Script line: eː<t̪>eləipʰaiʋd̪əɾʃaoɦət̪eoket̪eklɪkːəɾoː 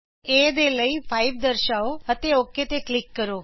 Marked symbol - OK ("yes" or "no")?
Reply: no